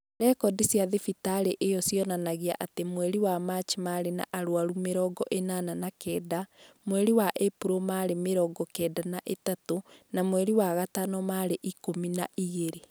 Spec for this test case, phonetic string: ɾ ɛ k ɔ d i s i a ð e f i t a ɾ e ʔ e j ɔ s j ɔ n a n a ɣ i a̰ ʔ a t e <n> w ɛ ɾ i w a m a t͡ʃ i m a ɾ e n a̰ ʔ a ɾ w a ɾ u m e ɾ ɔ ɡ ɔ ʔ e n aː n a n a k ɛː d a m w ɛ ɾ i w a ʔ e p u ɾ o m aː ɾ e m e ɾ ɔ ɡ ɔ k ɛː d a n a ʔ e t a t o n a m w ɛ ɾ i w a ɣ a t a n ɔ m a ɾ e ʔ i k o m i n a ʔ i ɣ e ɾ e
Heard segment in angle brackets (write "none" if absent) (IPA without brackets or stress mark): m